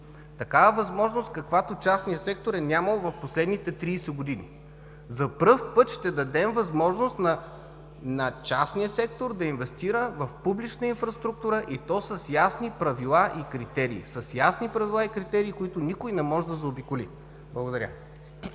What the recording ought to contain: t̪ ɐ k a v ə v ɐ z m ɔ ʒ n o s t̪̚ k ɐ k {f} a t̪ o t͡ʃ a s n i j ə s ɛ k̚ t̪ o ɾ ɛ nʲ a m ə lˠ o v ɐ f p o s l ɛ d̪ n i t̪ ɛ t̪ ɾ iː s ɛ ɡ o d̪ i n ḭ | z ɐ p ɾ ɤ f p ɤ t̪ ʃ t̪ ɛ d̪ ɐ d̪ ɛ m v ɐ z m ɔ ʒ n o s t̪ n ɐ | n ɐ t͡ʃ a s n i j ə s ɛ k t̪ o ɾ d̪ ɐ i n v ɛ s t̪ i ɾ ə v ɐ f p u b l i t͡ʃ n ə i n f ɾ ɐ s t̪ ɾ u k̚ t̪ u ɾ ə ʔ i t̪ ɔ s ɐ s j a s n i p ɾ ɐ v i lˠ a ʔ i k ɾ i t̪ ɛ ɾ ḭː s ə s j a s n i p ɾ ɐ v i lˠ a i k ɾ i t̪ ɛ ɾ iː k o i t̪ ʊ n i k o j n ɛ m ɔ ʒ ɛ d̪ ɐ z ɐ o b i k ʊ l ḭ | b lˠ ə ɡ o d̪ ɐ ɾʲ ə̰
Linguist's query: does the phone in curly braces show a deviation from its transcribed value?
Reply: yes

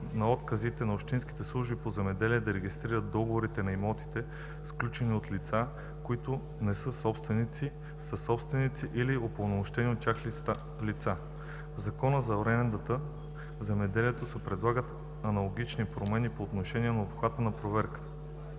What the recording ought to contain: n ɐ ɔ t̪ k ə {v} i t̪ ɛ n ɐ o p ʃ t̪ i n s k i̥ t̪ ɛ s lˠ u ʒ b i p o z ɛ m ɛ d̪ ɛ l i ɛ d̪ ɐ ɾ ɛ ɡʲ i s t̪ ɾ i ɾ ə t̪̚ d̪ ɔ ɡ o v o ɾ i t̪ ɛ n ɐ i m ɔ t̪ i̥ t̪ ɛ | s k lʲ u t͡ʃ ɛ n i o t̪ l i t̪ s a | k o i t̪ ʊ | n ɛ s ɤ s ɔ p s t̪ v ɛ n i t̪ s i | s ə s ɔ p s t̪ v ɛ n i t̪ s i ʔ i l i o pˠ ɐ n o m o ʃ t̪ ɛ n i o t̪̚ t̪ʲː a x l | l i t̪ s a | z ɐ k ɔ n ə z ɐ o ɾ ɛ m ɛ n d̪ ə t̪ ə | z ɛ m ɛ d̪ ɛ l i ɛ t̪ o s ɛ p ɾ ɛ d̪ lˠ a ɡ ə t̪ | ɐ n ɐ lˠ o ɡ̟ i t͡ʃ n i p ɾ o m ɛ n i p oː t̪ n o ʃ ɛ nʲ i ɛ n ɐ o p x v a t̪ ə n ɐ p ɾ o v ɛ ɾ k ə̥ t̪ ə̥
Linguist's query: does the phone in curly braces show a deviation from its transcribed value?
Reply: yes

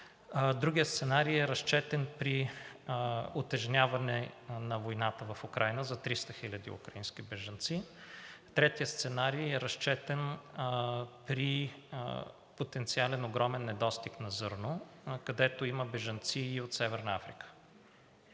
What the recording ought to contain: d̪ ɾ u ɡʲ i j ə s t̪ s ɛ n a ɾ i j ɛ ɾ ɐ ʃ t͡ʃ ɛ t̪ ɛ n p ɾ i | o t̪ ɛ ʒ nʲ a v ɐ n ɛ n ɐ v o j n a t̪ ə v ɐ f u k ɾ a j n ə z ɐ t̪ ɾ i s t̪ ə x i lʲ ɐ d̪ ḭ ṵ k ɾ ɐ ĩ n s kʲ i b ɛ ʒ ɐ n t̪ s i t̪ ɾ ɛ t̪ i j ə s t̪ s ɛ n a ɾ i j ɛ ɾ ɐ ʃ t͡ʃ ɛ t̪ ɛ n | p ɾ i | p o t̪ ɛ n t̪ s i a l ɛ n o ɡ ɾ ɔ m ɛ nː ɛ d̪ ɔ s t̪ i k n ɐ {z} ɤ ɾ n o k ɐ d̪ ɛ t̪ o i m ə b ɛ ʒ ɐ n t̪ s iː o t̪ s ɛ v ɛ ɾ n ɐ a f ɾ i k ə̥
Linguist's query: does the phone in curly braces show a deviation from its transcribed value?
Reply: no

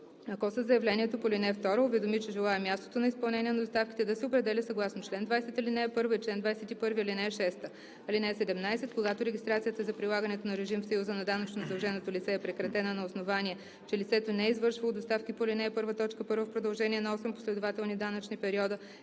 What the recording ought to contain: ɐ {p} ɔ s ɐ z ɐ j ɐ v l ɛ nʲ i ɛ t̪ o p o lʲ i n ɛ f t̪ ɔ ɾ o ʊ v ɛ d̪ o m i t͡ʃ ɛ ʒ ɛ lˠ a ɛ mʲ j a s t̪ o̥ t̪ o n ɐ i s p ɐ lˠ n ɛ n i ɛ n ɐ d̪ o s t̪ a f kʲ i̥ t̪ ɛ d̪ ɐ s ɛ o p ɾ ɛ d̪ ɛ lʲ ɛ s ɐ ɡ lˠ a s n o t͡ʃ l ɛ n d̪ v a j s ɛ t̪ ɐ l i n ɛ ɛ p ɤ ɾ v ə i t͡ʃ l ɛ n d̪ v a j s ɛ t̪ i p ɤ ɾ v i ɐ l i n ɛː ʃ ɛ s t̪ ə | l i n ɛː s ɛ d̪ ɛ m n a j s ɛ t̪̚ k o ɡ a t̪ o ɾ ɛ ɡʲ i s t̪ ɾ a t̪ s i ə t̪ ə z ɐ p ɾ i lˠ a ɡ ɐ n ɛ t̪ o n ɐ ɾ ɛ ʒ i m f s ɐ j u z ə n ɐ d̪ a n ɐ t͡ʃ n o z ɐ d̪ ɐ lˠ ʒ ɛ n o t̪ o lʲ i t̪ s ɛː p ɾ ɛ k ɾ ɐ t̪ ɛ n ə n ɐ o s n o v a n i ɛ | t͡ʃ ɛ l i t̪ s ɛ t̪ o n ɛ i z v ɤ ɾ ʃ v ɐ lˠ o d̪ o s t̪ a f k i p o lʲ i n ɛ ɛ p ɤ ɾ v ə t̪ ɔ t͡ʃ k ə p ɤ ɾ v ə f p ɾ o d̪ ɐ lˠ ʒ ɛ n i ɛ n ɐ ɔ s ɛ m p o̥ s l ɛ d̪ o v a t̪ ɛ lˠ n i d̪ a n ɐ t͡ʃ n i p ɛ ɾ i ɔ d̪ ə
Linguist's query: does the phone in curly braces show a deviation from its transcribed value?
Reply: yes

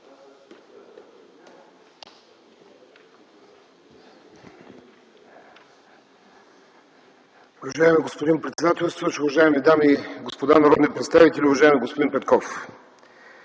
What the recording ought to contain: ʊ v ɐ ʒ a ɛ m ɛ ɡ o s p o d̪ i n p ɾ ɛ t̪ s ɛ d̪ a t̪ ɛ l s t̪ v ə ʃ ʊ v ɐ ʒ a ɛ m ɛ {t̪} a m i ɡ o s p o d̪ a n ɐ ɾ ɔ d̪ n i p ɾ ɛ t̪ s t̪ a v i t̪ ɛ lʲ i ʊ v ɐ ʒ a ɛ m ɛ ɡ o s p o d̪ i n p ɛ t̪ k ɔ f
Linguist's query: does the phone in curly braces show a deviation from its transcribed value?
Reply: yes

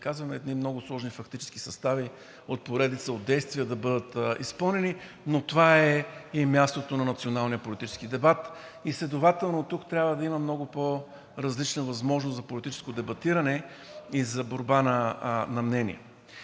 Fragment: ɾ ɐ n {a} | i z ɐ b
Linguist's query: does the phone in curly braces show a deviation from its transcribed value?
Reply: yes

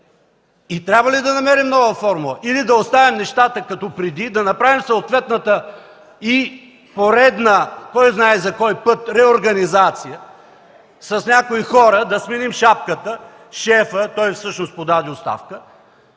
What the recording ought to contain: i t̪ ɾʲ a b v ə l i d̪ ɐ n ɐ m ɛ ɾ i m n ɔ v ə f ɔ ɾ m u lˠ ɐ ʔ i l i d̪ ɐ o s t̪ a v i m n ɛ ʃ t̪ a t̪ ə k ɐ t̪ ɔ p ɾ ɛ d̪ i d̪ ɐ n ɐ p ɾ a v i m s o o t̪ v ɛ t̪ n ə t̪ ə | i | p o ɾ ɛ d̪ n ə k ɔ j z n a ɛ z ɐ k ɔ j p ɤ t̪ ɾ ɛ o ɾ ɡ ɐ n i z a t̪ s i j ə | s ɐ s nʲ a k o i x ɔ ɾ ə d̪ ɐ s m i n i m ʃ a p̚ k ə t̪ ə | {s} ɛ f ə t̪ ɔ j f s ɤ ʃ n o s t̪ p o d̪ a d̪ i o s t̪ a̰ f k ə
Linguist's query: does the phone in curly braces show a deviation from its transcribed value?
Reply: yes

